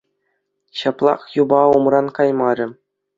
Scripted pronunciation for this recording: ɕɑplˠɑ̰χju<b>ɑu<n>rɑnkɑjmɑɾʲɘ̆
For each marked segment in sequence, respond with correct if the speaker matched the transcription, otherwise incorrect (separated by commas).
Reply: correct, incorrect